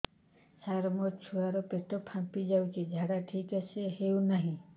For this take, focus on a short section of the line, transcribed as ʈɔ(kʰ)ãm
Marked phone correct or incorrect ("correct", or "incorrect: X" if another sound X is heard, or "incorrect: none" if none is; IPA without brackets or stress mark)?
incorrect: pʰ